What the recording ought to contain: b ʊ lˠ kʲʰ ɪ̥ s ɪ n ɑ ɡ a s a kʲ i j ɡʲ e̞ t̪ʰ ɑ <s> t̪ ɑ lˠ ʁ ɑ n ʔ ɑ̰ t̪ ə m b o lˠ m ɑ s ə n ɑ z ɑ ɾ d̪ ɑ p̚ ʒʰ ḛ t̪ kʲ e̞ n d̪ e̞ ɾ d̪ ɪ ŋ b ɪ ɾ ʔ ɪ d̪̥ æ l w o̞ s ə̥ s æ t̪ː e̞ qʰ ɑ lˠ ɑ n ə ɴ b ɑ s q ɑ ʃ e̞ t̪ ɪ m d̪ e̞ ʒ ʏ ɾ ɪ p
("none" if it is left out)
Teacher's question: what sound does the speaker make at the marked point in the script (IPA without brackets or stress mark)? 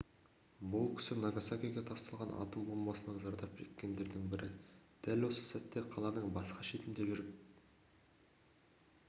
s